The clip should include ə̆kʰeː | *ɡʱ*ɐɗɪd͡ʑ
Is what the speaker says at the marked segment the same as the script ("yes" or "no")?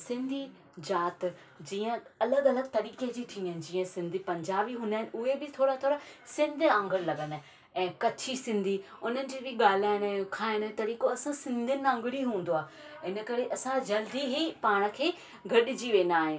yes